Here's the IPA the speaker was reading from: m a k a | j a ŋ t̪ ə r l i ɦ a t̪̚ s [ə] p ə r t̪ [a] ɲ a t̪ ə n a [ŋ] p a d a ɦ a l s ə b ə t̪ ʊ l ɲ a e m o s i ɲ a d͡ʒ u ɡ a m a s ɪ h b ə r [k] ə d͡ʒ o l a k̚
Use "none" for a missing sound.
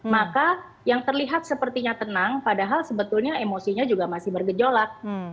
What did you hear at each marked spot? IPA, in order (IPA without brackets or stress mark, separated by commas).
ə, i, ŋ, ɡ